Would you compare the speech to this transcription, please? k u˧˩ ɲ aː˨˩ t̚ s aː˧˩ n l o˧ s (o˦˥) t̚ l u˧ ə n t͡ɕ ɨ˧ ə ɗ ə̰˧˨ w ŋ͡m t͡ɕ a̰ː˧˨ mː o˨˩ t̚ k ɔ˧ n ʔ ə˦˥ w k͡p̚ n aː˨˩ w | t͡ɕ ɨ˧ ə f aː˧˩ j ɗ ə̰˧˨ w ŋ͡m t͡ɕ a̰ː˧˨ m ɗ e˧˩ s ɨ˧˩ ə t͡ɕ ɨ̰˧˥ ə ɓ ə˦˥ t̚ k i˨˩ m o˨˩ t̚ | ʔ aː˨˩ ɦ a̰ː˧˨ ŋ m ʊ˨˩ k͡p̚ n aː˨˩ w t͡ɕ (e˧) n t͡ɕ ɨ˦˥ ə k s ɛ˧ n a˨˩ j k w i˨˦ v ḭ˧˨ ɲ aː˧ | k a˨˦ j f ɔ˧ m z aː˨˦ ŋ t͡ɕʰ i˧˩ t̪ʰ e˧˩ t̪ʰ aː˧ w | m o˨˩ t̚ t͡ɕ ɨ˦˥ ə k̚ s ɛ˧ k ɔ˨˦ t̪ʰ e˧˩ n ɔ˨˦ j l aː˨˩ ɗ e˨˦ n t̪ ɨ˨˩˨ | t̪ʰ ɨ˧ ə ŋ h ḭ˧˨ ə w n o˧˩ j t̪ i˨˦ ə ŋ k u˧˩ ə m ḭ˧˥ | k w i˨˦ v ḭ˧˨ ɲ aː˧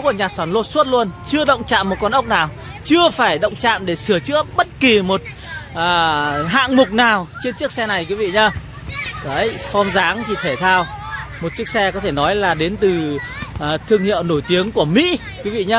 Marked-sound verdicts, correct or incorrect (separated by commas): incorrect, correct